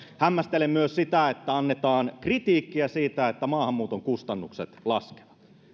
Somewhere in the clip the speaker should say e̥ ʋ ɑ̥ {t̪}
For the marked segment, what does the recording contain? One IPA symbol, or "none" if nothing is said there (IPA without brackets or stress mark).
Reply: t̪